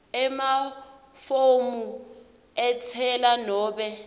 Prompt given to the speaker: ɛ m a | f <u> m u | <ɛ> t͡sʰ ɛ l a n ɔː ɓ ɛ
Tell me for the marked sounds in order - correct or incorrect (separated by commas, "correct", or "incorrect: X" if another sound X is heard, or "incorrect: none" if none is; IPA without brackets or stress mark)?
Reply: incorrect: o, correct